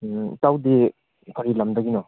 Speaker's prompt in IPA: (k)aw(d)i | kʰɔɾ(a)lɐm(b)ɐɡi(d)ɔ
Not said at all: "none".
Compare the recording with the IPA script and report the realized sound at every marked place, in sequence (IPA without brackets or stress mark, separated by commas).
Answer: t, d, i, d, n